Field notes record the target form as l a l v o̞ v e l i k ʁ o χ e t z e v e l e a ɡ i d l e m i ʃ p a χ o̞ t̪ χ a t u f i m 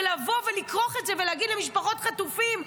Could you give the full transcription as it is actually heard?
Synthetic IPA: l a v o̞ v e l i k ʁ o χ e t z e v e l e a ɡ i d l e m i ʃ p a χ o̞ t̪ χ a t u f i m